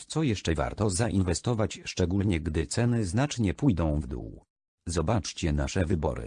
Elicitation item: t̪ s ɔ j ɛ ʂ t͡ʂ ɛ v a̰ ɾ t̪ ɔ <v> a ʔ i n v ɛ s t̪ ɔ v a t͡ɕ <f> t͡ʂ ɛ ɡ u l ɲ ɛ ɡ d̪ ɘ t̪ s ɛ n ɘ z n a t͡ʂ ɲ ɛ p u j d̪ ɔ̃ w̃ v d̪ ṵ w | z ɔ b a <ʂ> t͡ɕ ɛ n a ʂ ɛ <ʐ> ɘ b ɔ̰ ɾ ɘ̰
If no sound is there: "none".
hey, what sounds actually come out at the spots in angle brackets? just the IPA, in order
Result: z, ʂ, t͡ʂ, v

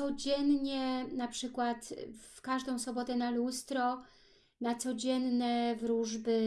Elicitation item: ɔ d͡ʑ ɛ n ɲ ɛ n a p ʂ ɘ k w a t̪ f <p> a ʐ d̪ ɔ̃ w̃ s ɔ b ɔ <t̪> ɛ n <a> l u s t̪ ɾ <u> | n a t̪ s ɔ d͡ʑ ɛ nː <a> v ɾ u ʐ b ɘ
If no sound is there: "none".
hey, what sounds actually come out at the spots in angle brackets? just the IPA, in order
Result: k, t̪, a, ɔ, ɛ

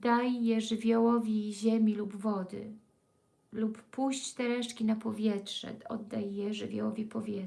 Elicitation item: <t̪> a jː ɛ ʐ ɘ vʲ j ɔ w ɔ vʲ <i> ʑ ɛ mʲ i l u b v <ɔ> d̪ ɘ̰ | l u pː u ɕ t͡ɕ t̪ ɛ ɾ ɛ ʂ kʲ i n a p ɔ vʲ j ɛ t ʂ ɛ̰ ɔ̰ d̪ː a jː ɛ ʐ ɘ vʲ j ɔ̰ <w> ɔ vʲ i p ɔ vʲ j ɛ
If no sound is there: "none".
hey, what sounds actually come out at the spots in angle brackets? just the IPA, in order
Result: d̪, i, ɔ, w

